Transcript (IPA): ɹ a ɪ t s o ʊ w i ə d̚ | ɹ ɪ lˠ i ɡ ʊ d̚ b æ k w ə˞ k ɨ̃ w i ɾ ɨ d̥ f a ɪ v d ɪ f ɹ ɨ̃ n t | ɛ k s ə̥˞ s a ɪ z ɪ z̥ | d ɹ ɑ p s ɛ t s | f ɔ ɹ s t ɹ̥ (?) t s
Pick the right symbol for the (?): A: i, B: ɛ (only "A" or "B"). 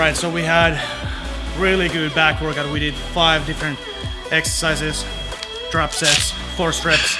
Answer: B